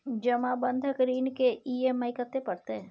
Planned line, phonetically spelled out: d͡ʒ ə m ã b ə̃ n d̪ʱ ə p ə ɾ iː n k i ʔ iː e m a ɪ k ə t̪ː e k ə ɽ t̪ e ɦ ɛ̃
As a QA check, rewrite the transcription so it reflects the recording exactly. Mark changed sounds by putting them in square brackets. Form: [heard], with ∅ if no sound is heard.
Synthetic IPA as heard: d͡ʒ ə m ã b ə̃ n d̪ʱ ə [k] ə ɾ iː n k [e] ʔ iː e m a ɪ k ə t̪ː e [p] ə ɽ t̪ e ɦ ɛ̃